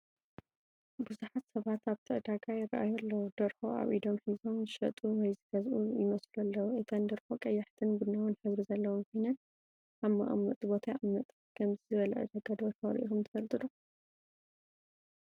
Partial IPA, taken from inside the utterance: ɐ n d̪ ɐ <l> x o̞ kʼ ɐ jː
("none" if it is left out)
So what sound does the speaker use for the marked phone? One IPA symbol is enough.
ɾ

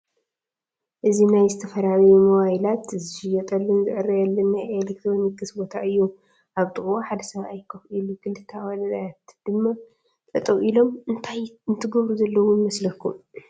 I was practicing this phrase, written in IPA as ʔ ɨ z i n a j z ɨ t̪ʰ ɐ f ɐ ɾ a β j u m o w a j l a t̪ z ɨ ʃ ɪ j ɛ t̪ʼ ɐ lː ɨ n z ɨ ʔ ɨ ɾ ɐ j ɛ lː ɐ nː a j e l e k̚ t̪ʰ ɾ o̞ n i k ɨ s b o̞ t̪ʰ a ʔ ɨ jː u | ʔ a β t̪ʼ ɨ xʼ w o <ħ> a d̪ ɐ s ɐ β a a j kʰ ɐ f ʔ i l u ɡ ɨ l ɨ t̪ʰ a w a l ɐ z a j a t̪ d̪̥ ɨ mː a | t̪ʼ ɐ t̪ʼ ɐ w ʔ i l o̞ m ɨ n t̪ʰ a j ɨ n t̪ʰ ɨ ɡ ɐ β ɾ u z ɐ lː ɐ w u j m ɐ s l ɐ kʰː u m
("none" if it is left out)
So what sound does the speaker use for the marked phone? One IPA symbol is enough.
ħ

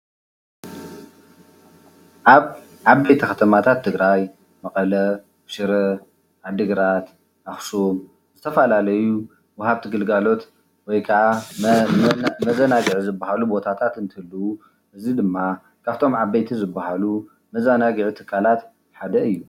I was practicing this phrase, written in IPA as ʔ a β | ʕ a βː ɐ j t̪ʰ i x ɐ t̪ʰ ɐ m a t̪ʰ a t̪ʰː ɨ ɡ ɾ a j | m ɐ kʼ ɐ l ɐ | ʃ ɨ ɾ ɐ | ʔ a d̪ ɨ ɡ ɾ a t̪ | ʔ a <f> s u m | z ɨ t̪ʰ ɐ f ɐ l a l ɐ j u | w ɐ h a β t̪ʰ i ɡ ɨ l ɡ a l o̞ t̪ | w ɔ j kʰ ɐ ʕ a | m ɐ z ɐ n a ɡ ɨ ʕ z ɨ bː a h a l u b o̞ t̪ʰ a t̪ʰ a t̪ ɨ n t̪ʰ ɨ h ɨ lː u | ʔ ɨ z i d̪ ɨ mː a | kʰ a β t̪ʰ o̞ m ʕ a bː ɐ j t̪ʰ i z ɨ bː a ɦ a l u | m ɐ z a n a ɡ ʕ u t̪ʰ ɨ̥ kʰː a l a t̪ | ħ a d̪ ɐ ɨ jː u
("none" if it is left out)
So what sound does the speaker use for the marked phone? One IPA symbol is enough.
x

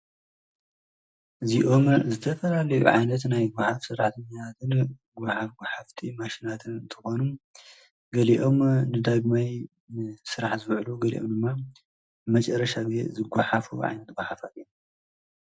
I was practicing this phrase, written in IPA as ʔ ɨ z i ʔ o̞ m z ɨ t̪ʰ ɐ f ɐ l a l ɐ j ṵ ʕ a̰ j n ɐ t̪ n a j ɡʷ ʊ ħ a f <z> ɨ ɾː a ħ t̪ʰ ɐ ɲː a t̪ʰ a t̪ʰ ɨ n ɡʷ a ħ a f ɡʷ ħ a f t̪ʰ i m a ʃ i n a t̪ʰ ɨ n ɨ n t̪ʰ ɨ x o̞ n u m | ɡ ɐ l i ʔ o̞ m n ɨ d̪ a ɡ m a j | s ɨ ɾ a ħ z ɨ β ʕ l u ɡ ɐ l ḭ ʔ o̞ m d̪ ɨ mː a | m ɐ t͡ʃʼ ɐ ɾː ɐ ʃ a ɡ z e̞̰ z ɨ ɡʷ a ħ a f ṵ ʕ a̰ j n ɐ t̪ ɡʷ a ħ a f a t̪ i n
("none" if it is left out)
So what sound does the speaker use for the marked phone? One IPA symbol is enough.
s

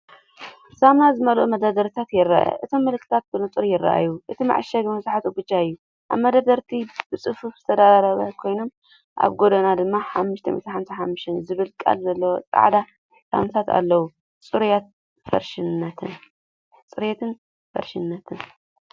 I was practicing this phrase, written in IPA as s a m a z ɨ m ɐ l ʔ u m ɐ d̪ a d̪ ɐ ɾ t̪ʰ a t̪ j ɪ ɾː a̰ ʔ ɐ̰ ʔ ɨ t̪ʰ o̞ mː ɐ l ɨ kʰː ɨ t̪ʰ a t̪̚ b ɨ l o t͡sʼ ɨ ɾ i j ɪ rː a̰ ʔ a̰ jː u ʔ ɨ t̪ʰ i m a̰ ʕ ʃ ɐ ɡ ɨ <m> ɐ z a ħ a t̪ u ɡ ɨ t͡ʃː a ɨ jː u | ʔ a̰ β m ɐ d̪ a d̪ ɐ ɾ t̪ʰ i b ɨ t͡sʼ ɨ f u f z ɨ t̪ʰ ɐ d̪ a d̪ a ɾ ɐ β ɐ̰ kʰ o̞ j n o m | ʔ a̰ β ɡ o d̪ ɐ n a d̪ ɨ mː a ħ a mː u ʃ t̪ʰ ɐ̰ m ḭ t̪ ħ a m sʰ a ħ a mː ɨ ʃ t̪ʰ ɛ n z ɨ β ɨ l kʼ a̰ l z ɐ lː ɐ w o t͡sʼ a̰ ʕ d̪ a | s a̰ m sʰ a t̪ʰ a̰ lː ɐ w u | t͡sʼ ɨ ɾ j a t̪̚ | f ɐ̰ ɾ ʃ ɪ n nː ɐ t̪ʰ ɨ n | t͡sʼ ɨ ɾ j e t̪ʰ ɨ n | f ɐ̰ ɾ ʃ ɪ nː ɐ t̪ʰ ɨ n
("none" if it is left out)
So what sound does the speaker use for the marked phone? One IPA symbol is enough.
m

